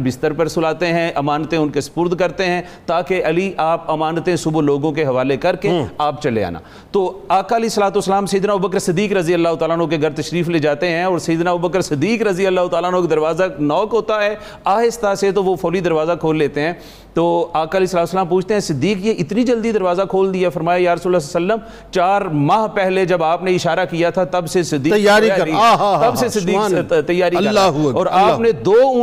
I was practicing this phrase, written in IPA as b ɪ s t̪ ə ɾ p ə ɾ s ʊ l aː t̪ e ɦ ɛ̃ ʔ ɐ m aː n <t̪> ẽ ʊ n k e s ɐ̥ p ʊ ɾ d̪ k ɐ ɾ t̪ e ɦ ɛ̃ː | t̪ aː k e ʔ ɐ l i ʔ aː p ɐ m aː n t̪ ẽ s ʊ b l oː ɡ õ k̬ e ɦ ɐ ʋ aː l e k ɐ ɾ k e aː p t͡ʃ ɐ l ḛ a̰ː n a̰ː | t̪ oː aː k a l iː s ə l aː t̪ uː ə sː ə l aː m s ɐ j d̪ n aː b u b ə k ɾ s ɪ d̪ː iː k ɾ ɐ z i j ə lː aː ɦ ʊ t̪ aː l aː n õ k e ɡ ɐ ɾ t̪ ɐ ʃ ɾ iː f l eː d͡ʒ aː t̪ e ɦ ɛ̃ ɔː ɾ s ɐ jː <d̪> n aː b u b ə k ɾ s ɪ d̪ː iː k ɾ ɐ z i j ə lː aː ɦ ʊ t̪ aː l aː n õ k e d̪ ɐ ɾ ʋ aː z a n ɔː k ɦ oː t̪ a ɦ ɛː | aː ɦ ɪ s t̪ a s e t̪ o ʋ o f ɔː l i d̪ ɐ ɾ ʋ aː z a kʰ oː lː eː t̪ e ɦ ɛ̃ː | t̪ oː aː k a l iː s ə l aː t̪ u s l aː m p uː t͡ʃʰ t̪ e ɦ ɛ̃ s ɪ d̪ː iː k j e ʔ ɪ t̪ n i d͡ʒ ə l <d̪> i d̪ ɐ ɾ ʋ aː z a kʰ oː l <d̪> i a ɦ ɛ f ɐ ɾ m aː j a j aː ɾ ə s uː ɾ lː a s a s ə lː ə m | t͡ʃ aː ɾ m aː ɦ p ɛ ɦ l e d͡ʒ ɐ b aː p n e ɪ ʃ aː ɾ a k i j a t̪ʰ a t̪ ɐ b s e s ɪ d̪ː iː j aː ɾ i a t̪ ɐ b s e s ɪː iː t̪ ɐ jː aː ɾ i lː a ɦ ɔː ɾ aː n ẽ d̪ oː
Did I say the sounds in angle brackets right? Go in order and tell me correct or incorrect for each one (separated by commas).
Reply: correct, correct, correct, correct